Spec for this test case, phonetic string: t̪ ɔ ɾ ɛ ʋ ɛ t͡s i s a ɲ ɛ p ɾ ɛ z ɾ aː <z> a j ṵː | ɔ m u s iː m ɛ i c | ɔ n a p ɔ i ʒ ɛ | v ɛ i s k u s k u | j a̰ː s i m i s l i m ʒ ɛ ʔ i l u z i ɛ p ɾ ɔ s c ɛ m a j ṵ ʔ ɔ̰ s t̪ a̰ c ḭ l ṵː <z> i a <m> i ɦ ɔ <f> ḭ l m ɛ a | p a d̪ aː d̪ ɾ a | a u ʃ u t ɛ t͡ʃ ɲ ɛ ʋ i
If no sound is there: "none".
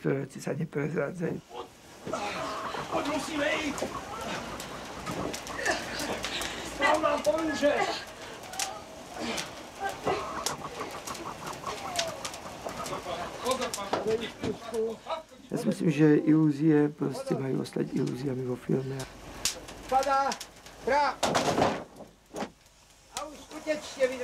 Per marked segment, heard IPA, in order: d͡z, z, m, f

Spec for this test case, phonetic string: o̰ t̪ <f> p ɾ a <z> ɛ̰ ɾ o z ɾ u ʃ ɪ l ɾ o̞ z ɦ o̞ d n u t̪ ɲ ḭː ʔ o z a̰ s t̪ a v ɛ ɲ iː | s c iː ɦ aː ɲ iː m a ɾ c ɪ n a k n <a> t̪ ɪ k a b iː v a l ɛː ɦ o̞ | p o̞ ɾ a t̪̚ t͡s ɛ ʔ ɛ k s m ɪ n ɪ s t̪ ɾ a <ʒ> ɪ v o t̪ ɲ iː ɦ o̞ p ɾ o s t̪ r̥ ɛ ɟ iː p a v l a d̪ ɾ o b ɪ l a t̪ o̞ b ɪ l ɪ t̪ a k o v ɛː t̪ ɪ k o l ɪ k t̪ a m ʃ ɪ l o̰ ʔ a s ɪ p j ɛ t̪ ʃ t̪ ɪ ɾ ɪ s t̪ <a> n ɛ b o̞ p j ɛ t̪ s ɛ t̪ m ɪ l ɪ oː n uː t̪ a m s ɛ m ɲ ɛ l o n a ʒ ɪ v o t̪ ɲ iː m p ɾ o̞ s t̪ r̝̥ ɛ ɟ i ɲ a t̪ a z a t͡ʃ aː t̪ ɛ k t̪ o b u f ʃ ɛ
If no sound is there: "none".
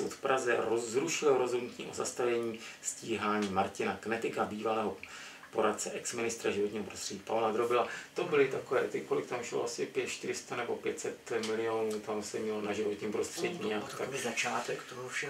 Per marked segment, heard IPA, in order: f, z, ɛ, ʒ, a

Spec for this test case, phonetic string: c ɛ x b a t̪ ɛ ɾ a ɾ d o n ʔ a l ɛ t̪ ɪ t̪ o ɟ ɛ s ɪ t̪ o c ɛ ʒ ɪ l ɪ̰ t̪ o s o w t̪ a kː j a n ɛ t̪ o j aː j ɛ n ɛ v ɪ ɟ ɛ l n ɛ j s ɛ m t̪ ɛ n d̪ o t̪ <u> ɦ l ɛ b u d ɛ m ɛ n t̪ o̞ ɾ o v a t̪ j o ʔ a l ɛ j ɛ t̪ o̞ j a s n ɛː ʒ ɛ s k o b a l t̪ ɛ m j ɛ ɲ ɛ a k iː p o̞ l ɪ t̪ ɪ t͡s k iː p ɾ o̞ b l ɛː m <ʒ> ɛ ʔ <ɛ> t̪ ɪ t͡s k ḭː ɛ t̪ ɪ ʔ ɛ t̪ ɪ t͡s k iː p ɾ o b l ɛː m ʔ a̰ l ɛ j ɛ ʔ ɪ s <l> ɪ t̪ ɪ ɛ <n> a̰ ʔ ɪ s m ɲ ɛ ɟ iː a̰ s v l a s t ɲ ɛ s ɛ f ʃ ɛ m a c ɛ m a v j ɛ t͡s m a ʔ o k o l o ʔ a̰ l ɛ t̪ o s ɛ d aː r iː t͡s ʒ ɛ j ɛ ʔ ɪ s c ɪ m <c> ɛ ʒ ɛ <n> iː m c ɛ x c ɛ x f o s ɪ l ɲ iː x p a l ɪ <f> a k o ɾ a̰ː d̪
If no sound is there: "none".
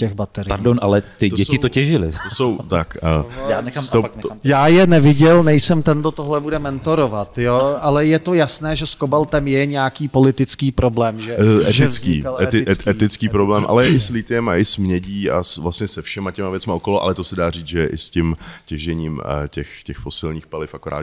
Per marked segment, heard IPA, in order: o, ʒ, ɛ, l, m, c, ɲ, f

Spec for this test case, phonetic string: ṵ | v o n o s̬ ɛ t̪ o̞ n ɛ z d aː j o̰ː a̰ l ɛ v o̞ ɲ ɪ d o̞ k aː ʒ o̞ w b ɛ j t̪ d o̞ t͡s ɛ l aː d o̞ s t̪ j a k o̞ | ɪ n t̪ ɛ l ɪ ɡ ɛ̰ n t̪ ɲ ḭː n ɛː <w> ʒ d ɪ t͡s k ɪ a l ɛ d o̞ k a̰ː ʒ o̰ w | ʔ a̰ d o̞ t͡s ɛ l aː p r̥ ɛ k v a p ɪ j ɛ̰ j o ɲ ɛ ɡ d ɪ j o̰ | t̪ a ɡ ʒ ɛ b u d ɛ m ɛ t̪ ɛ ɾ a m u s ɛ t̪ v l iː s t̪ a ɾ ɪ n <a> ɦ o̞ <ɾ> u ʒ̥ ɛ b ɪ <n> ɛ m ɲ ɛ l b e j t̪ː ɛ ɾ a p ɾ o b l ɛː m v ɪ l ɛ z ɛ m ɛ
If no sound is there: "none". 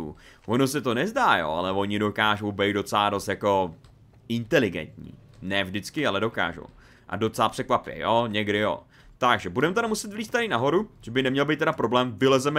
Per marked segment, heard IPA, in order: v, a, ɾ, n

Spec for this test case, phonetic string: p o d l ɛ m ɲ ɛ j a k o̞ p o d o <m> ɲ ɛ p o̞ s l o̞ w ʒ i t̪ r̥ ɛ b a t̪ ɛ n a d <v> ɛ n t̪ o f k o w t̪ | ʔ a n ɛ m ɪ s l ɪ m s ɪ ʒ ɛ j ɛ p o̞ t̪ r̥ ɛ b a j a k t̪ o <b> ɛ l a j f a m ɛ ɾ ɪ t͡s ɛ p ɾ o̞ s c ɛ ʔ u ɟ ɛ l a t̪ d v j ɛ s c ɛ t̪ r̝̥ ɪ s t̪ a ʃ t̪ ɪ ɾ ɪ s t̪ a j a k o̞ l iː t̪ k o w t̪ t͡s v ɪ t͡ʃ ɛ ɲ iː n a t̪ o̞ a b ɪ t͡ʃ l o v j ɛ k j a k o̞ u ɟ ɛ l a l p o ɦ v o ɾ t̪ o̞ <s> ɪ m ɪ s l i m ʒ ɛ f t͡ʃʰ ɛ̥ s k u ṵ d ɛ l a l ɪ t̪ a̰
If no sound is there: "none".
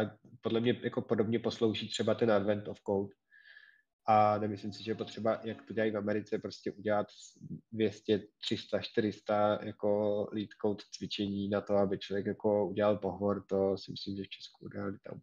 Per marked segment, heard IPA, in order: b, v, ɟ, s

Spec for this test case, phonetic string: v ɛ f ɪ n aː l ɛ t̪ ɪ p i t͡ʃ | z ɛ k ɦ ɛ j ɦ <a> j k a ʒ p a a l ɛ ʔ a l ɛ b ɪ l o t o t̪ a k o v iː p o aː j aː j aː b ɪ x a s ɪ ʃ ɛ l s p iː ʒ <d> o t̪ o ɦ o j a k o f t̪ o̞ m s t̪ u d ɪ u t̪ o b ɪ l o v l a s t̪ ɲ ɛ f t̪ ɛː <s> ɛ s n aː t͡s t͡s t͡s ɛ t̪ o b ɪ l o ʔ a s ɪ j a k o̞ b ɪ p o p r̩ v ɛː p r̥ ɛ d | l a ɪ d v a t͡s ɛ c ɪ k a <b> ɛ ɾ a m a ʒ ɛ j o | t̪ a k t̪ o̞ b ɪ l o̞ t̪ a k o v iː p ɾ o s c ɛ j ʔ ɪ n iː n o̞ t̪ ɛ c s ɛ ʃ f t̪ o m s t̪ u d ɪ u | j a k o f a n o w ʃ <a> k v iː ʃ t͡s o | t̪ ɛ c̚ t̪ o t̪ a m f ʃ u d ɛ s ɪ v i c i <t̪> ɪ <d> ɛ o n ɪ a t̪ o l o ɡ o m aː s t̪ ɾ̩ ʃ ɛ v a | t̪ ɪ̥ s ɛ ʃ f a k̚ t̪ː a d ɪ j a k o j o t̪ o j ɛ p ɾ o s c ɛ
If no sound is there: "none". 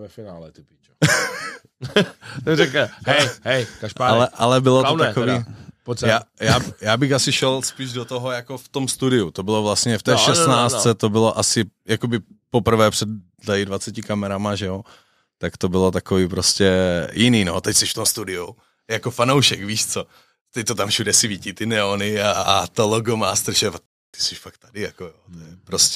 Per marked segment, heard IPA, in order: ɛ, d, ʃ, m, ɛ, t̪, n

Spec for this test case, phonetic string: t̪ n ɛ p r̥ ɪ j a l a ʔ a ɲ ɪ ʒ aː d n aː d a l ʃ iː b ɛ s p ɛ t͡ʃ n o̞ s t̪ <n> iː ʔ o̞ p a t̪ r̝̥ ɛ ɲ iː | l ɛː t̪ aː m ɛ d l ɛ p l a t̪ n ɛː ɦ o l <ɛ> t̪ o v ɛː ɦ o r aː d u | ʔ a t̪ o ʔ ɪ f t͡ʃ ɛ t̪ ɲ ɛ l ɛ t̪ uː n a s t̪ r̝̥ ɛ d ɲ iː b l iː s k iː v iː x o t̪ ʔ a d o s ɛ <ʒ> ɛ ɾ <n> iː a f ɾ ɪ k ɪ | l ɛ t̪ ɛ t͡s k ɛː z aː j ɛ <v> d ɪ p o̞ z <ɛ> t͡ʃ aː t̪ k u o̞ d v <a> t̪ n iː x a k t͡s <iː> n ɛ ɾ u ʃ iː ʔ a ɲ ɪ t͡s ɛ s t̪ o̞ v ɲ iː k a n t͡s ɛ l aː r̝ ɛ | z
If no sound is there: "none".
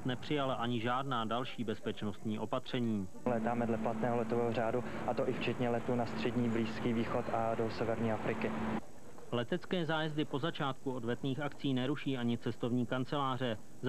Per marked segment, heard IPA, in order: ɲ, ɛ, v, ɲ, z, a, ɛ, iː

